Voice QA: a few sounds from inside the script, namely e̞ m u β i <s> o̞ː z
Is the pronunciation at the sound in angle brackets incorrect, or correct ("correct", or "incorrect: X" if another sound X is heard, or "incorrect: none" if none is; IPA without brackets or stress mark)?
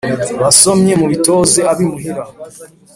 incorrect: t